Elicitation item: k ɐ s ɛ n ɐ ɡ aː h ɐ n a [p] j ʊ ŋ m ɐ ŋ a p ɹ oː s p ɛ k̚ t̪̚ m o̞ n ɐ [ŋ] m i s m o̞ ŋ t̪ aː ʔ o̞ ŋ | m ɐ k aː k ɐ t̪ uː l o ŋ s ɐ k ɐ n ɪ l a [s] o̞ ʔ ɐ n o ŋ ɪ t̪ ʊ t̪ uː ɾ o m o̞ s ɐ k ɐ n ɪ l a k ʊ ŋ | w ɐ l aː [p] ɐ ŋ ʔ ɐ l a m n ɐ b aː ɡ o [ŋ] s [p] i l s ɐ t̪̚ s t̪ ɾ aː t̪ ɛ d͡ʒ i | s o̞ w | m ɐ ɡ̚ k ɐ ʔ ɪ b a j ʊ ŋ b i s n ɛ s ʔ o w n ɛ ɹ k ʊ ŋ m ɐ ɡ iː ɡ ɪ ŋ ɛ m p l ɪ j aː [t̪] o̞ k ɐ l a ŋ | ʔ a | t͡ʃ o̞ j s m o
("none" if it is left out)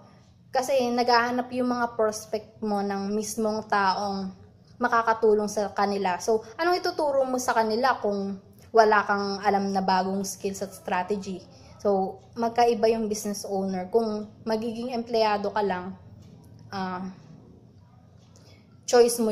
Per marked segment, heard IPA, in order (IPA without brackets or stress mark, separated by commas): p, ŋ, s, k, ŋ, k, d̪